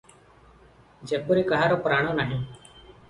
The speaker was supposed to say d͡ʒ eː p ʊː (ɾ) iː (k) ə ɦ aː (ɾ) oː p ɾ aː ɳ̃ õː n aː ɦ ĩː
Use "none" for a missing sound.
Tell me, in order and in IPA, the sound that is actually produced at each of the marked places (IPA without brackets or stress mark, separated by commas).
ɾ, k, ɾ